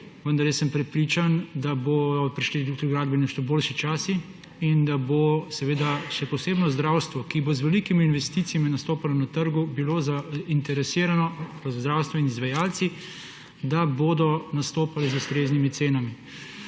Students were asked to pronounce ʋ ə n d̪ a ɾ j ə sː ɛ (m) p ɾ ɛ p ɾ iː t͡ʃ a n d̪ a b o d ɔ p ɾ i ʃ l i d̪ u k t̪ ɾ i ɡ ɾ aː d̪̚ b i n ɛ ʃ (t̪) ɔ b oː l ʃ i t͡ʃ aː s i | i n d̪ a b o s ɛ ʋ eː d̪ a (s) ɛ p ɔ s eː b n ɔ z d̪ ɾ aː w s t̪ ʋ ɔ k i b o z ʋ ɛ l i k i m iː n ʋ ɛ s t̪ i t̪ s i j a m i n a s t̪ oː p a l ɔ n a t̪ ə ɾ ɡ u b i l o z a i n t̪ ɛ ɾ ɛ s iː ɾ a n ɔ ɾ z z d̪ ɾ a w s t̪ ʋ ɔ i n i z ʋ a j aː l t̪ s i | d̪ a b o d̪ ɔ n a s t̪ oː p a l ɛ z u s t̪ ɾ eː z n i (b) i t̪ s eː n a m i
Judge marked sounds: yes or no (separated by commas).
yes, yes, no, no